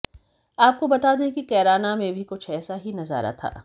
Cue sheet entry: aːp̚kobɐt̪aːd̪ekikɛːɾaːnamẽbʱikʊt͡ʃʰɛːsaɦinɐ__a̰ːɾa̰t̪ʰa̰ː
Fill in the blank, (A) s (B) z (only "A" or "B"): B